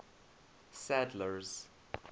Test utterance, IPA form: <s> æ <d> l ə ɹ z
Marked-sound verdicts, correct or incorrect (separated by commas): correct, correct